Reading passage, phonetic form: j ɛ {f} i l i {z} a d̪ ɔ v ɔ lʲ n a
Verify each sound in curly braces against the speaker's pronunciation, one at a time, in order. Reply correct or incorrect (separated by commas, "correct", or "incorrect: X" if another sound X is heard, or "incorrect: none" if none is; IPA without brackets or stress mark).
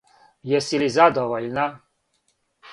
incorrect: s, correct